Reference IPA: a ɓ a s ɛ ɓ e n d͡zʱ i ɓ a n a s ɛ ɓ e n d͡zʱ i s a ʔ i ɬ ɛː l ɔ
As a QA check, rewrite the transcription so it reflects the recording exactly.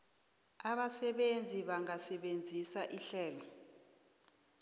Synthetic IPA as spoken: a ɓ a s ɛ ɓ e n d͡zʱ i ɓ a ŋ a s ɛ ɓ e n d͡zʱ i s a ʔ i ɬ ɛː l ɔ